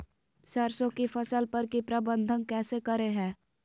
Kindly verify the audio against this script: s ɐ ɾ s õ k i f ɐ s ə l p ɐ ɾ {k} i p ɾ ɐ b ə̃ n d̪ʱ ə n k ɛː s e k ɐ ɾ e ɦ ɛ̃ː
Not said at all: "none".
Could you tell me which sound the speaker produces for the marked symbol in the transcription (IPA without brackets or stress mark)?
k